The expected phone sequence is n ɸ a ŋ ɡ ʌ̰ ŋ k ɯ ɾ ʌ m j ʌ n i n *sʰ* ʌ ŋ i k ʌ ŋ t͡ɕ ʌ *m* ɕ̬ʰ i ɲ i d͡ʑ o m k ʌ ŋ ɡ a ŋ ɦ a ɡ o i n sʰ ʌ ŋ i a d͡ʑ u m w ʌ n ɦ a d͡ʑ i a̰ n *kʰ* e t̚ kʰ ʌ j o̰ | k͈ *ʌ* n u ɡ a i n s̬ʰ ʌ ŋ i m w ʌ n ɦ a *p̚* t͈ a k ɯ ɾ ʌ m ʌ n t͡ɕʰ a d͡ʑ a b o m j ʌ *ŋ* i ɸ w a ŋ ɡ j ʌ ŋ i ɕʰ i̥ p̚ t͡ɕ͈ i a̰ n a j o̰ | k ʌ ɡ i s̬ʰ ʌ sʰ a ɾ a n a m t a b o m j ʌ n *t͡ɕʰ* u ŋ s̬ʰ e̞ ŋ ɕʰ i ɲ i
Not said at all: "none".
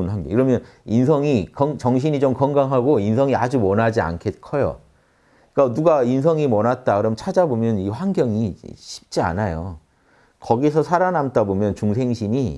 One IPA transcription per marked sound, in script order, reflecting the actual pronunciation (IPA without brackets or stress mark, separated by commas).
sʰ, ŋ, kʰ, a, t̚, n, t͡ɕ